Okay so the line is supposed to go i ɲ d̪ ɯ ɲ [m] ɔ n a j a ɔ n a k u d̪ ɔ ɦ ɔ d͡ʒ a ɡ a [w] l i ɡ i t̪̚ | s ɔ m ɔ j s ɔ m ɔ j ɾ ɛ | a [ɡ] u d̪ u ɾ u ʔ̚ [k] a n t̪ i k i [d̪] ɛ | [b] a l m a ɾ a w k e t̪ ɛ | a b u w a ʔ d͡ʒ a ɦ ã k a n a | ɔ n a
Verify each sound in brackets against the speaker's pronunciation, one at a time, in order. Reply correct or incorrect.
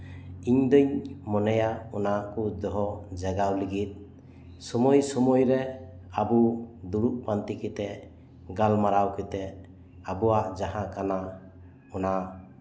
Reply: correct, correct, incorrect, incorrect, incorrect, incorrect

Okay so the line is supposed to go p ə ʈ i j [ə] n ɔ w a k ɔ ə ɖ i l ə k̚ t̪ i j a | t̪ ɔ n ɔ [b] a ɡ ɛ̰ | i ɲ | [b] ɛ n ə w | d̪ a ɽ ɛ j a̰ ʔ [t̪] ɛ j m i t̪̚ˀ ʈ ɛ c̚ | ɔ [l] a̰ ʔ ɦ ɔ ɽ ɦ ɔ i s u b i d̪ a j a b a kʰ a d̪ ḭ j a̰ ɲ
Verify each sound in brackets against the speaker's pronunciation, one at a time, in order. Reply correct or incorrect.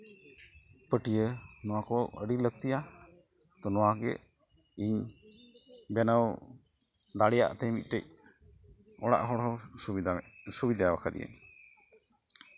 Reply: correct, incorrect, correct, correct, incorrect

